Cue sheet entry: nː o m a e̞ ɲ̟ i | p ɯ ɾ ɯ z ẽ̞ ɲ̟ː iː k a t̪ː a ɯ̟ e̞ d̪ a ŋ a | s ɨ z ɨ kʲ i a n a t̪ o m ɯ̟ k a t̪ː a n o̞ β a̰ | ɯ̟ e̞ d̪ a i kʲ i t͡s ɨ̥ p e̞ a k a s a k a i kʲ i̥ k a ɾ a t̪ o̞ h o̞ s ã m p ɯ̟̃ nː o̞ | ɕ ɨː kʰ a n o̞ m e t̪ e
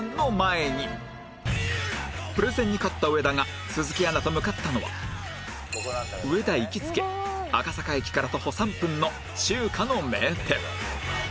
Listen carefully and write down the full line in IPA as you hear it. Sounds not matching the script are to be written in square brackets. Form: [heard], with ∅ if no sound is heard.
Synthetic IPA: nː o m a e̞ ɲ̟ i | p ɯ ɾ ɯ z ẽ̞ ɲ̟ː [i] k a t̪ː a ɯ̟ e̞ d̪ a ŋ a | s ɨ z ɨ kʲ i a n a t̪ o m ɯ̟ k a t̪ː a n o̞ β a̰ | ɯ̟ e̞ d̪ a i kʲ i t͡s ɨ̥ [k] e̞ a k a s a k a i kʲ i̥ k a ɾ a t̪ o̞ h o̞ s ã m p ɯ̟̃ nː o̞ | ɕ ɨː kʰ a n o̞ m e t̪ e